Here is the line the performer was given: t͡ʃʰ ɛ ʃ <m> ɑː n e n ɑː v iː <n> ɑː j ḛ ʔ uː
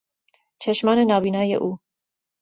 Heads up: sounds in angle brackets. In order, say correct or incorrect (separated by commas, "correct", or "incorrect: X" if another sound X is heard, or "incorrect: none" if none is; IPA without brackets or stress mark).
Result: correct, correct